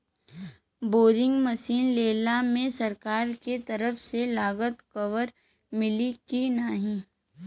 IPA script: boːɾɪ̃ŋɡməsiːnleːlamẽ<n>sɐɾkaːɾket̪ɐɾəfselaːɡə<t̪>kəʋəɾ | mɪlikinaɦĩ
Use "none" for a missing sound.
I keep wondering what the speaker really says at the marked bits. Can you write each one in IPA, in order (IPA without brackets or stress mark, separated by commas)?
none, t̪